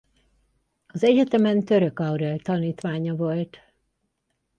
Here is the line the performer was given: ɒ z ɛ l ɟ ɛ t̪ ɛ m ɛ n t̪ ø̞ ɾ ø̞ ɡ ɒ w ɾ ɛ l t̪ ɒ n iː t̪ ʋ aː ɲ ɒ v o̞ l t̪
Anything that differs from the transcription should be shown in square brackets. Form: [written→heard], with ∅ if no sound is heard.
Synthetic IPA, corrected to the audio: ɒ z ɛ [l→∅] ɟ ɛ t̪ ɛ m ɛ n t̪ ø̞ ɾ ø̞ [ɡ→k] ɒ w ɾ ɛ l t̪ ɒ n iː t̪ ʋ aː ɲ ɒ v o̞ l t̪